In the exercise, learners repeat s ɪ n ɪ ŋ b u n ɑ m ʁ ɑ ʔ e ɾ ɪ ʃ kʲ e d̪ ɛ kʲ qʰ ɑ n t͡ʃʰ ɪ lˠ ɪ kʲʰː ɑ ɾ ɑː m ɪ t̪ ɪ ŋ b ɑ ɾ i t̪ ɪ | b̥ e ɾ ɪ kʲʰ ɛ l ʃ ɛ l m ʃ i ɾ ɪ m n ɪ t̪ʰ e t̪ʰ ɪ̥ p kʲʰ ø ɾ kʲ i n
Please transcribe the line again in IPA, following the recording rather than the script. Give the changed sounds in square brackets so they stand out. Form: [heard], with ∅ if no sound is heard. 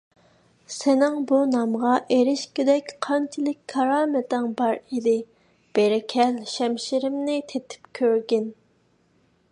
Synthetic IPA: s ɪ n ɪ ŋ b u n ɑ m ʁ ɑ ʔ e ɾ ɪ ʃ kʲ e d̪ ɛ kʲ qʰ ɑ n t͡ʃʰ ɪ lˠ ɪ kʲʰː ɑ ɾ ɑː m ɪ t̪ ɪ ŋ b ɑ ɾ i [d̪] ɪ | b̥ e ɾ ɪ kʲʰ ɛ l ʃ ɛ [∅] m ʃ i ɾ ɪ m n ɪ t̪ʰ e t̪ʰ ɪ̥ p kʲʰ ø ɾ [ɡʲ] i n